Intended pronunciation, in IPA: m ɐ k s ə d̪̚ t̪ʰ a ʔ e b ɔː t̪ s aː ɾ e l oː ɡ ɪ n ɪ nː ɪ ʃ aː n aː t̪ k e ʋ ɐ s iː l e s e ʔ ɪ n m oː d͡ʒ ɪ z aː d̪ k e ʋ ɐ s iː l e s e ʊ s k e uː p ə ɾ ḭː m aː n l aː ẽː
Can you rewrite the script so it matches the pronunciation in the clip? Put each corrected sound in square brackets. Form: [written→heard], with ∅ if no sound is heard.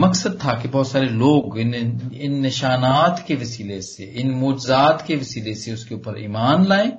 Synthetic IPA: m ɐ k s ə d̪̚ t̪ʰ a [ʔ→k] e b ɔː t̪ s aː ɾ e l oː ɡ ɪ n ɪ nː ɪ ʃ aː n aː t̪ k e ʋ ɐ s iː l e s e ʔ ɪ n m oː d͡ʒ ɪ z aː [d̪→t̪] k e ʋ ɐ s iː l e s e ʊ s k e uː p ə ɾ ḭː m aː n l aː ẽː